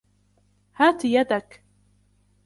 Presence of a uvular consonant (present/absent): absent